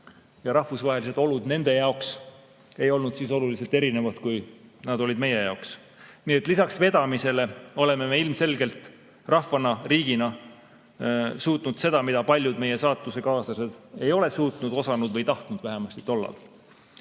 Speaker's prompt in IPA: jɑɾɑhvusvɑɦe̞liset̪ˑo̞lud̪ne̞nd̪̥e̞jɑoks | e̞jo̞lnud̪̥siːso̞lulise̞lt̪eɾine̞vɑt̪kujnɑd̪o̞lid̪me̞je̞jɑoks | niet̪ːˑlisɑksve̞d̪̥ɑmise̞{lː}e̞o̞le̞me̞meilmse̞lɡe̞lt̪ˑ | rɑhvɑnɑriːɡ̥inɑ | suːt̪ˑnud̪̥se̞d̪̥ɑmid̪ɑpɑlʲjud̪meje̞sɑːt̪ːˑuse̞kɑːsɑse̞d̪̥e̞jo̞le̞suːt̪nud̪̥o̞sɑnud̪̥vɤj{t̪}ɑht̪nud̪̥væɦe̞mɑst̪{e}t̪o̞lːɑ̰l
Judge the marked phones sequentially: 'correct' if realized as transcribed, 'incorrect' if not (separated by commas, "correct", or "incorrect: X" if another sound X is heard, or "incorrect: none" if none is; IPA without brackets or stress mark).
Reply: incorrect: l, correct, incorrect: i